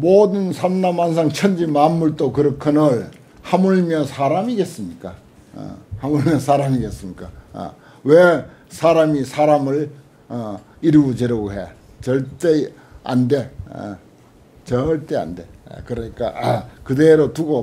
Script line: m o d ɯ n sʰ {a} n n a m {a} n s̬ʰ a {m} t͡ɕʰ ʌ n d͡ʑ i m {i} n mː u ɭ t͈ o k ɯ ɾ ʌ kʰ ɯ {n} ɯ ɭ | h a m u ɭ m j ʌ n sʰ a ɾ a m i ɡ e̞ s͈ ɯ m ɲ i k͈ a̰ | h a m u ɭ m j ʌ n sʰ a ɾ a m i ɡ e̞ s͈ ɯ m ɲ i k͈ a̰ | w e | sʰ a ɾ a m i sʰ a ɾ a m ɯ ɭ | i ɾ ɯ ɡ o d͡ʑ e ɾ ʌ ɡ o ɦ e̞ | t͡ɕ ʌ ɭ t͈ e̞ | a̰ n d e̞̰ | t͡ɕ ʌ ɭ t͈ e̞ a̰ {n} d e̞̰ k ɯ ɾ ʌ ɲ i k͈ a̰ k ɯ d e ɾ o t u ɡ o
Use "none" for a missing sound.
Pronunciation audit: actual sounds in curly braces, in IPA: a, a, ŋ, a, n, n

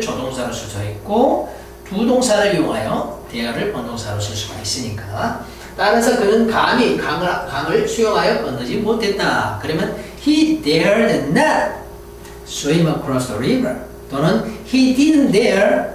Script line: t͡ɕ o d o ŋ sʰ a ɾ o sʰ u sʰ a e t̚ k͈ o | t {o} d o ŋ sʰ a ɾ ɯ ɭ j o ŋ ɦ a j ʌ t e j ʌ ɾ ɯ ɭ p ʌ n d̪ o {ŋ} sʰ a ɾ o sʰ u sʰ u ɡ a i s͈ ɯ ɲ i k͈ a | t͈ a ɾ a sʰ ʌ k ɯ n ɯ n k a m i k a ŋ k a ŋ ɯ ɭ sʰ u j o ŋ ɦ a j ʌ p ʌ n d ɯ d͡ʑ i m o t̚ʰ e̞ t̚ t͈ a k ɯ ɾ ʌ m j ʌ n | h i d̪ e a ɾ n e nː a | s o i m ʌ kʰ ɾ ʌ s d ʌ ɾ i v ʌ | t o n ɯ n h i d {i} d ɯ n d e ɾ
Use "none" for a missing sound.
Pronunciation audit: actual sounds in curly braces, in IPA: u, ŋ, i

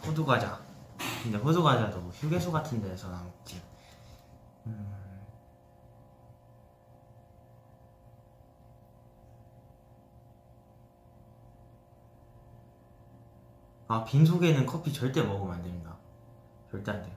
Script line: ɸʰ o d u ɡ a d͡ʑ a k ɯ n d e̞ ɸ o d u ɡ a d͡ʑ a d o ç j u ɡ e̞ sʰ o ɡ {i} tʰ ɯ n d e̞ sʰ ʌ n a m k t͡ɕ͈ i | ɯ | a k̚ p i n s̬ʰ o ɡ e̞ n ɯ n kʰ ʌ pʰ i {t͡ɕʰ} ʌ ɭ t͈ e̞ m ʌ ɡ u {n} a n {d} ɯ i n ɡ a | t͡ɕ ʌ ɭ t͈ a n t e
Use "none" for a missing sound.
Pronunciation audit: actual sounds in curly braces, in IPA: a, t͡ɕ, m, d

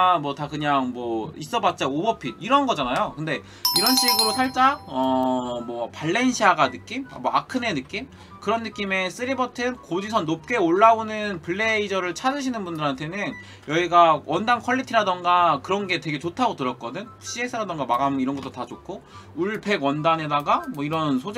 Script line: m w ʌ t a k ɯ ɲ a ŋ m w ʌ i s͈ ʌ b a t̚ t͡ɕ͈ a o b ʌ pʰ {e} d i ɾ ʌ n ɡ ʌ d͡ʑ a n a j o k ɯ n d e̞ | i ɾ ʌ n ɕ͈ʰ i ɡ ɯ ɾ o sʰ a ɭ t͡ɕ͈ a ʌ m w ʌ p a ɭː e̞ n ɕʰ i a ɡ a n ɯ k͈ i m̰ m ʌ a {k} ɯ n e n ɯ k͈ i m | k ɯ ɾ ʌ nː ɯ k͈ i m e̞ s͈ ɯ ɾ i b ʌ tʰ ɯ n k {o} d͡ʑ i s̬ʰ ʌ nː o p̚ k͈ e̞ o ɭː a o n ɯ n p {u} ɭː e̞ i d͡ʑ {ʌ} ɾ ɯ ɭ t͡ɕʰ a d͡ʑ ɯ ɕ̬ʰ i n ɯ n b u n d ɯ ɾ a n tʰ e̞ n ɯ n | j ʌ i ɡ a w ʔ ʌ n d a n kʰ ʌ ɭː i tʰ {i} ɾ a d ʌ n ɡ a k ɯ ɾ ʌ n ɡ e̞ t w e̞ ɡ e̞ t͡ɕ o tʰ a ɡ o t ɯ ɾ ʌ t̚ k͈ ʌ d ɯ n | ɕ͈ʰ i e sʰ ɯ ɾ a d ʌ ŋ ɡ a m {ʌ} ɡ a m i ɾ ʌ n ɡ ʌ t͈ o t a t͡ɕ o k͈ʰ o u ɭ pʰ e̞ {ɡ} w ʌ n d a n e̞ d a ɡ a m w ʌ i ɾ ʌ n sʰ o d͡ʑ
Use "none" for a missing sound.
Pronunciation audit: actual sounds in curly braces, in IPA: i, kʰ, o, ɯ, ʌ, i, a, ɡ

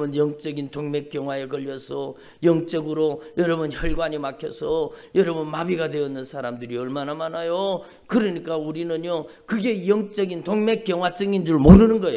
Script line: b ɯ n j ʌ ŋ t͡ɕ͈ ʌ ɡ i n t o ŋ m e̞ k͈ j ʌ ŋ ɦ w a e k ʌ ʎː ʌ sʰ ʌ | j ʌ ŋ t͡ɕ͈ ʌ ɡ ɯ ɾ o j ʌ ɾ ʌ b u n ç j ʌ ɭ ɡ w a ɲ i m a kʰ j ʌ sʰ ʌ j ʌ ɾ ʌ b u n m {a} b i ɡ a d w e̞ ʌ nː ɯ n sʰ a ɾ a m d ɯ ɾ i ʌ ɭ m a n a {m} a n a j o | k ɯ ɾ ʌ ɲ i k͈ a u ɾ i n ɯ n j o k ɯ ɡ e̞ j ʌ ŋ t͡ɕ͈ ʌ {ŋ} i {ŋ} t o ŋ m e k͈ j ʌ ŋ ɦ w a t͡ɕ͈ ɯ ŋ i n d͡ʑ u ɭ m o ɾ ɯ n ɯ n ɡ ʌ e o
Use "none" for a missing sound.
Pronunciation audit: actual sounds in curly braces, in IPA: a, m, ɡ, n

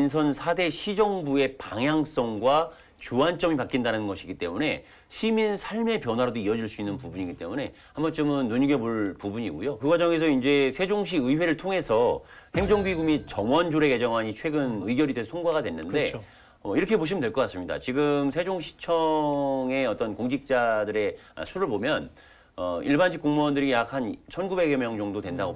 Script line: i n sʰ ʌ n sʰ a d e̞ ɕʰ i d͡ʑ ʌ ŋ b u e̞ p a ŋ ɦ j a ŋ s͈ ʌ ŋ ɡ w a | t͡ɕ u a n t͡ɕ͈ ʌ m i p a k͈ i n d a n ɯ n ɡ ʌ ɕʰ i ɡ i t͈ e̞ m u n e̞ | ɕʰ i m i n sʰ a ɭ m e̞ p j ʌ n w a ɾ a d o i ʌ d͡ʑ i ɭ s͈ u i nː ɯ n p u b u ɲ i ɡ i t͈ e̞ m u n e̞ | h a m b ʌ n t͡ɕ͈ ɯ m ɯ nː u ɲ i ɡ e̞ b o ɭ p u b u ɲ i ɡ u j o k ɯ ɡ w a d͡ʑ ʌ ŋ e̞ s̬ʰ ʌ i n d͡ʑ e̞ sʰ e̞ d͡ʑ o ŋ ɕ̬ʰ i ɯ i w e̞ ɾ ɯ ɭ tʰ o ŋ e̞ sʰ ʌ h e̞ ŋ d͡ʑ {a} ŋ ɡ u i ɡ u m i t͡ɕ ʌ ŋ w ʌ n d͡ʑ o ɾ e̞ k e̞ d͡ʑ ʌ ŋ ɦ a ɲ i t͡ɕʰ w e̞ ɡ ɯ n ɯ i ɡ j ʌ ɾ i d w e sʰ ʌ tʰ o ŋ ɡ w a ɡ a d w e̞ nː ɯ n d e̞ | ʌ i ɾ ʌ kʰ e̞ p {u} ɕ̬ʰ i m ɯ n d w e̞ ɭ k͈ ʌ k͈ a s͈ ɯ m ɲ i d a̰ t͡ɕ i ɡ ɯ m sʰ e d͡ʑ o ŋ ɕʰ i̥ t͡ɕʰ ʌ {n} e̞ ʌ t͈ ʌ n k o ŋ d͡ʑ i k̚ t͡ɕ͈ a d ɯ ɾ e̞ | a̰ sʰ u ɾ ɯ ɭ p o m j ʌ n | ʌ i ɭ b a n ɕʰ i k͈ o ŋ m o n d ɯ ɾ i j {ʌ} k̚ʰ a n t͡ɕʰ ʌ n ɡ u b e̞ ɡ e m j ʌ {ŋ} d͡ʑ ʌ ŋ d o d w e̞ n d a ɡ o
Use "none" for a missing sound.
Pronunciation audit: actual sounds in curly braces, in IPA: ʌ, o, ŋ, a, ŋ

